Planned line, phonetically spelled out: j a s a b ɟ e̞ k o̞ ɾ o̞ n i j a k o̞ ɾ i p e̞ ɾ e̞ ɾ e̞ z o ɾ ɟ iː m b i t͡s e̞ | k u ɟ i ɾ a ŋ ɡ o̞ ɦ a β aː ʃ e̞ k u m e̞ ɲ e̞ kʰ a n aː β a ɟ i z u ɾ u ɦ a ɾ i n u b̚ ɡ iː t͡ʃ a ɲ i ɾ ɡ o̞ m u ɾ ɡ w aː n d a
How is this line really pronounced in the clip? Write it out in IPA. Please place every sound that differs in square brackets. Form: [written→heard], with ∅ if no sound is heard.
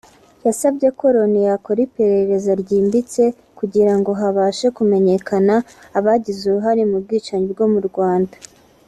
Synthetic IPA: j a s a b ɟ e̞ k o̞ ɾ o̞ n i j a k o̞ ɾ i p e̞ ɾ e̞ ɾ e̞ z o ɾ ɟ iː m b i t͡s e̞ | k u ɟ i ɾ a ŋ ɡ o̞ ɦ a β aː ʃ e̞ k u m e̞ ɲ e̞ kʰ a n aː β a ɟ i z u ɾ u ɦ a ɾ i [n→m] u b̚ ɡ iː t͡ʃ a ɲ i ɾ ɡ o̞ m u ɾ ɡ w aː n d a